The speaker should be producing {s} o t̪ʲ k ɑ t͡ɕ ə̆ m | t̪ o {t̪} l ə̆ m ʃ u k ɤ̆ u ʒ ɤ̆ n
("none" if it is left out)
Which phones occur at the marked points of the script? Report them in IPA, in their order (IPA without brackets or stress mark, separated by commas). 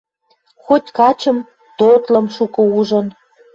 x, t̪